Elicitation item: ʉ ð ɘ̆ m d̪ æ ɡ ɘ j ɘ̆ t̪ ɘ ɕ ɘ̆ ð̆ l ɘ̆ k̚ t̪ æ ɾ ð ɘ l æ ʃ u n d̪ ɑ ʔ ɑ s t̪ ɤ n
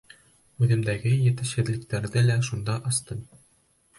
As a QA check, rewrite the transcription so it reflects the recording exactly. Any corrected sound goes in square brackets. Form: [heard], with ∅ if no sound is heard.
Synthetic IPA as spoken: ʉ ð ɘ̆ m d̪ æ ɡ ɘ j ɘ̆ t̪ ɘ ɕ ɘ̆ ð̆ l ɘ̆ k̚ t̪ æ ɾ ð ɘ l æ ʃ u n d̪ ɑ ʔ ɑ s t̪ ɤ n